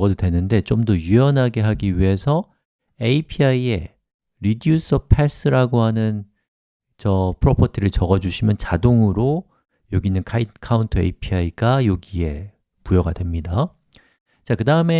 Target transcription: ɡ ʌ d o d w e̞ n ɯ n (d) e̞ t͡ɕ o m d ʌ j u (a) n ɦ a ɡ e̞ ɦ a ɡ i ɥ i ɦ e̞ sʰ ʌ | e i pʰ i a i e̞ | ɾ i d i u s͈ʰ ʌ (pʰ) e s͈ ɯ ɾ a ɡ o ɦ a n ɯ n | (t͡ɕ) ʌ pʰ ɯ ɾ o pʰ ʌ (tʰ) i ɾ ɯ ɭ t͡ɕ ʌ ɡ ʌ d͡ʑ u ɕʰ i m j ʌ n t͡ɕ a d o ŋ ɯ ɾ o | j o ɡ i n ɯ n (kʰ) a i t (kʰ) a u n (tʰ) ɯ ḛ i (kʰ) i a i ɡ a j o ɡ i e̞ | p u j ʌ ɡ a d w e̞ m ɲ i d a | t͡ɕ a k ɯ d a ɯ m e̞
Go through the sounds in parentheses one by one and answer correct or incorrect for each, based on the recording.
correct, incorrect, correct, correct, correct, correct, correct, correct, incorrect

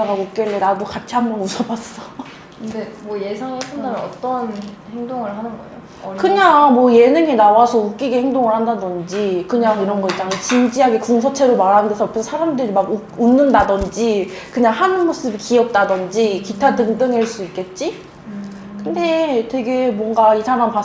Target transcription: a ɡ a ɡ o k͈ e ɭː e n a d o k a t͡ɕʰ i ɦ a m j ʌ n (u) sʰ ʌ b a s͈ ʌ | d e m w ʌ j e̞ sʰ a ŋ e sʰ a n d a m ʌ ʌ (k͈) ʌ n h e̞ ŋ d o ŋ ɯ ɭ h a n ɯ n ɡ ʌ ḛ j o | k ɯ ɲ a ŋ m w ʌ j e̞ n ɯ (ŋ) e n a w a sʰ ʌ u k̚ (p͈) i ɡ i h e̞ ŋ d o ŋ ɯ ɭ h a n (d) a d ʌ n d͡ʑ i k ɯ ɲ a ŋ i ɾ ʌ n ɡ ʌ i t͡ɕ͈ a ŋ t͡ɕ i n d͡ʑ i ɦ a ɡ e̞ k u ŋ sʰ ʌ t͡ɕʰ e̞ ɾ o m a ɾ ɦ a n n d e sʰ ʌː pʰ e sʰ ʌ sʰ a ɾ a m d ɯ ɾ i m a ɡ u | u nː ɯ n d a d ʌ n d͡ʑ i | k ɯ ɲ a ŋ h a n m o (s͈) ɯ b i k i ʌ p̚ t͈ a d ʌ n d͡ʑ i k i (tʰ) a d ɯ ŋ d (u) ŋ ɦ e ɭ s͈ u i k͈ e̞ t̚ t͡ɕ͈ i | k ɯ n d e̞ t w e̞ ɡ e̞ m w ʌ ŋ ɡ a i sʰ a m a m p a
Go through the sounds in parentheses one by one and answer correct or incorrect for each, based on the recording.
correct, incorrect, correct, incorrect, correct, correct, correct, incorrect

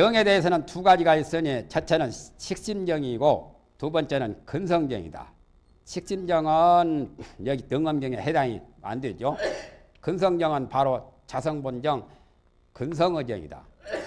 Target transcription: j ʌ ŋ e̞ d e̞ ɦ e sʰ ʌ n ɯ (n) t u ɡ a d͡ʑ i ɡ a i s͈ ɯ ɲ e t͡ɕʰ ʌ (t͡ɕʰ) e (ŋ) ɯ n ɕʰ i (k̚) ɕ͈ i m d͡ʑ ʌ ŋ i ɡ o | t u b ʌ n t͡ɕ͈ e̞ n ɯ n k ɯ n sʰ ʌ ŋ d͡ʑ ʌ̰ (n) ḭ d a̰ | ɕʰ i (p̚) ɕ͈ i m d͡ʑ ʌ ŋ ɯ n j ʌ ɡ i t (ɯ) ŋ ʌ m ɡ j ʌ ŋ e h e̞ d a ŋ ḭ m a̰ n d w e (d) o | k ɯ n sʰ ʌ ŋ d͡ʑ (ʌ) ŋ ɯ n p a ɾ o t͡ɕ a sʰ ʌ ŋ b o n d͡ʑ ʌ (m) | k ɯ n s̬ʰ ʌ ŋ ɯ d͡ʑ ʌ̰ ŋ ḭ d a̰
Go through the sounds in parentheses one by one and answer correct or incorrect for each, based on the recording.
correct, correct, incorrect, correct, incorrect, incorrect, correct, incorrect, correct, incorrect

